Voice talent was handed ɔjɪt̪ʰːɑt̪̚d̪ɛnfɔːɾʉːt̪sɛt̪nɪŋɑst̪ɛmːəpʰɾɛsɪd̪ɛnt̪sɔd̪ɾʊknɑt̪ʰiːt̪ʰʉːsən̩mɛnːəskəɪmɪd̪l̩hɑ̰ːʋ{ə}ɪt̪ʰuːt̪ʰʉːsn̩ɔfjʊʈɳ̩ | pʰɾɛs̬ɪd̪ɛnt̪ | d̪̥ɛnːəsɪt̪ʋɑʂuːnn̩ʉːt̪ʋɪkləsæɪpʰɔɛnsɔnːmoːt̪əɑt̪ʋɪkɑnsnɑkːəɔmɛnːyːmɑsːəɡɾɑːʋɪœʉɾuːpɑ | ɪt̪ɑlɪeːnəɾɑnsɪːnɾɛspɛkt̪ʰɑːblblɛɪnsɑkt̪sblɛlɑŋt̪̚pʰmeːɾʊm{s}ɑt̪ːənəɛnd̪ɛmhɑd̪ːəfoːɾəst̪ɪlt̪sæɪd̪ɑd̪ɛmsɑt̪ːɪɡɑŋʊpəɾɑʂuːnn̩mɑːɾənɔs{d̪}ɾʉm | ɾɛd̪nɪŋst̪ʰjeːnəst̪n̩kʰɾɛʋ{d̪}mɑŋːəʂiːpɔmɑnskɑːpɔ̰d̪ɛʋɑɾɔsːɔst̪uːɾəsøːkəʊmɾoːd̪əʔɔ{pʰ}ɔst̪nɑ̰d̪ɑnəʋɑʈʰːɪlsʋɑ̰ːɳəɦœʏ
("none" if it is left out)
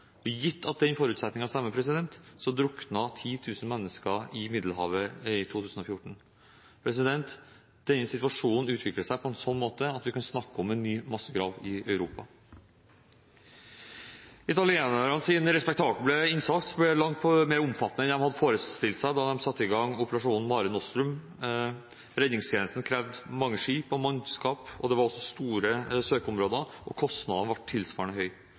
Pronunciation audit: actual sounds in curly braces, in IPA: ə, f, t̪, d̪, kʰ

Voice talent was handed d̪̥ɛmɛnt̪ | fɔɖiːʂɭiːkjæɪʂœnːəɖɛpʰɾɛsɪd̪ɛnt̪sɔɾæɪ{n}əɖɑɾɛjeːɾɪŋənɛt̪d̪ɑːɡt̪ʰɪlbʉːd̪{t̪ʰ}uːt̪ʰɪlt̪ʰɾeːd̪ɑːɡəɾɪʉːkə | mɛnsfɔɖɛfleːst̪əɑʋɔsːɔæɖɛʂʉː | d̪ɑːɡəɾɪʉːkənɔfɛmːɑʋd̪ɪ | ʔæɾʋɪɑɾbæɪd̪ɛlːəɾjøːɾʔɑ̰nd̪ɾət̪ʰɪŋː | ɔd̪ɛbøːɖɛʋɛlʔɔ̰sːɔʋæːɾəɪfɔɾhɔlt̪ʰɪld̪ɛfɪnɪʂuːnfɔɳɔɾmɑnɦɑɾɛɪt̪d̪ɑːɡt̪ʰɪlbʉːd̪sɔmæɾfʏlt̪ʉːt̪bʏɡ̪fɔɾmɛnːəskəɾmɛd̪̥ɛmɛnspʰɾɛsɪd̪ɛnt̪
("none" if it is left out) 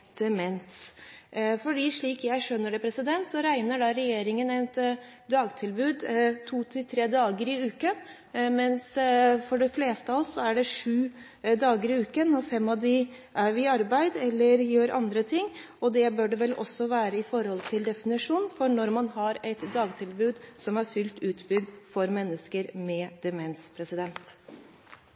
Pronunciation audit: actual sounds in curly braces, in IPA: n, t̪ʰ

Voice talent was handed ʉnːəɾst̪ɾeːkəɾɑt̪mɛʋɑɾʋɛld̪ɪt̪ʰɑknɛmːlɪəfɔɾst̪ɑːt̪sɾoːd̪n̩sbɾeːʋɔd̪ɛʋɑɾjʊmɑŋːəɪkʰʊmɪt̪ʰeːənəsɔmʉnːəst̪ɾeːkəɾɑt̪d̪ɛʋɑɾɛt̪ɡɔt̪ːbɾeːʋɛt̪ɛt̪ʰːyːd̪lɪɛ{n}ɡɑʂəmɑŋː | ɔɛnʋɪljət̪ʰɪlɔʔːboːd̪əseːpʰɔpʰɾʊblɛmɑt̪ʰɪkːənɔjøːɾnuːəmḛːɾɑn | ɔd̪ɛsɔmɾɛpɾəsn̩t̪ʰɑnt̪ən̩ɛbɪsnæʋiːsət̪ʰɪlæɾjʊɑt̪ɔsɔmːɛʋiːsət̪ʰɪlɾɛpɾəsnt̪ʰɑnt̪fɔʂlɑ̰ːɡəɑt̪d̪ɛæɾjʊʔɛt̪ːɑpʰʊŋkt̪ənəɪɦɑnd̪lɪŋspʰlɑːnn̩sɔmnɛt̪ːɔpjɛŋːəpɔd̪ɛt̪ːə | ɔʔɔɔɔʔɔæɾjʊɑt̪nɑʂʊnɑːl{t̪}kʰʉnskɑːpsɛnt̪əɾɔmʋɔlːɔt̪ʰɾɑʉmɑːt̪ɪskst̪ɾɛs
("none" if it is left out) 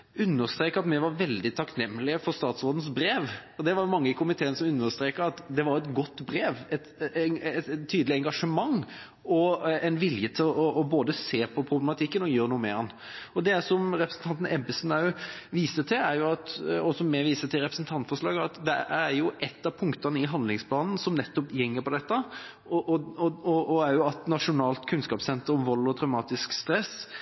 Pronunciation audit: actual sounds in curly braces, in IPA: ŋ, t̪

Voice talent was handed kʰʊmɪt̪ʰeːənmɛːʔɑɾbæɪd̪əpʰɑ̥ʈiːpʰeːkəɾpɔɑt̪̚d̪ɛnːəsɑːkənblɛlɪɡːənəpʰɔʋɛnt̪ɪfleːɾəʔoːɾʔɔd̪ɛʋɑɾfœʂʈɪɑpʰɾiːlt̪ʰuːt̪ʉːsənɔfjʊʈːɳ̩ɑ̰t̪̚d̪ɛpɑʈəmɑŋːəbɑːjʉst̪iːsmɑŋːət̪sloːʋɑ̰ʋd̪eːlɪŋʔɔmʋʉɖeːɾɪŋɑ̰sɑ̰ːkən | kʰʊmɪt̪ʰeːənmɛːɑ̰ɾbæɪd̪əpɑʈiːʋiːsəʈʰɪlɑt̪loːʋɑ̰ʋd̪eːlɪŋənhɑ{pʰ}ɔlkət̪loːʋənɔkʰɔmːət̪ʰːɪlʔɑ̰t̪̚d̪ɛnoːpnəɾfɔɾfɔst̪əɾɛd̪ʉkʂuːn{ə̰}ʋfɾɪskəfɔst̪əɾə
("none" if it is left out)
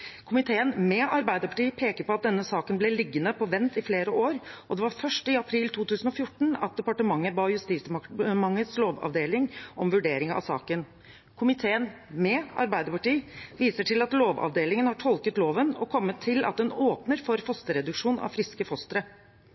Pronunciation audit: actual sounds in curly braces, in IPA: ʈʰ, ɑ̰

